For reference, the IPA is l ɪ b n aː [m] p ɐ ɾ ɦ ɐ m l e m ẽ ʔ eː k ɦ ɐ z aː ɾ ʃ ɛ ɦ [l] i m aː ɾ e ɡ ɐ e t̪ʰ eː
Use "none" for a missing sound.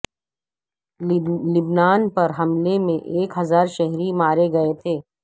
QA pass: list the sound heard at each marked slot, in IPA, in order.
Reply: n, ɾ

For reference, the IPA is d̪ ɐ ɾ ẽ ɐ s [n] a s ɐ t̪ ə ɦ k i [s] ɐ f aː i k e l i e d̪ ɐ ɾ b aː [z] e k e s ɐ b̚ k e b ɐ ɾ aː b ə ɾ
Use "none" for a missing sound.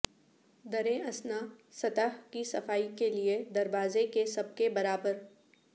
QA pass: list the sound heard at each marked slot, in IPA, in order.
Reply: n, s, z

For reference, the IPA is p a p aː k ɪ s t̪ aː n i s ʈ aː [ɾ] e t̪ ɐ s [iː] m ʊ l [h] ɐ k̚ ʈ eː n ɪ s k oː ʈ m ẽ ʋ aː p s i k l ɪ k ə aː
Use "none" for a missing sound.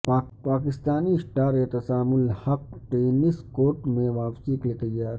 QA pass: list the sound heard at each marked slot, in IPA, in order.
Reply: ɾ, aː, h

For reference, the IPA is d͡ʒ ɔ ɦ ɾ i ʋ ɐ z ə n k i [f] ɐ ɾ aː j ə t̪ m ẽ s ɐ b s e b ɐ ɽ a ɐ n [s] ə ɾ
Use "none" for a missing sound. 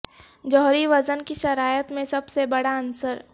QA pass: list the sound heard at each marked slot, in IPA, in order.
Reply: ʃ, s

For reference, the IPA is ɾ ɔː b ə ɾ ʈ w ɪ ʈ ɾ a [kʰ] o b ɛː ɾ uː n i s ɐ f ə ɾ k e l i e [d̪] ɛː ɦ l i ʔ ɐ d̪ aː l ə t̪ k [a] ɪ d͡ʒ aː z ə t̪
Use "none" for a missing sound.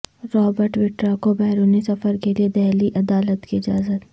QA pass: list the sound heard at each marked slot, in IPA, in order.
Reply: k, d̪, i

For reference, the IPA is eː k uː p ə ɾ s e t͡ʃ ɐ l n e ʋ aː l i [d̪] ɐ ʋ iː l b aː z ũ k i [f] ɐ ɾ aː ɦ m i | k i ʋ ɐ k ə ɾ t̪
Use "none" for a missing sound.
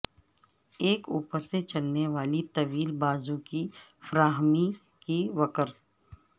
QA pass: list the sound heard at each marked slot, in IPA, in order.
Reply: t̪, f

